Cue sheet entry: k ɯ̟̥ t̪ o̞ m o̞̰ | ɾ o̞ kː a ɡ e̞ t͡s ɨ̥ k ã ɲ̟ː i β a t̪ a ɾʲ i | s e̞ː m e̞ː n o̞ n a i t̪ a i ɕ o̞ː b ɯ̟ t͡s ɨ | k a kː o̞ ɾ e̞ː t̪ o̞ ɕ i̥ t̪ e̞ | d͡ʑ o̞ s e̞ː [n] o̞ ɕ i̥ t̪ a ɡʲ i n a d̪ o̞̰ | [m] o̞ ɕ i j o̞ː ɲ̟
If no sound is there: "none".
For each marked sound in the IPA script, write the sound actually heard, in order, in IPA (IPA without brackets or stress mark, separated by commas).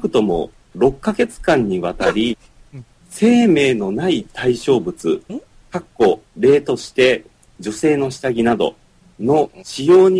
n, n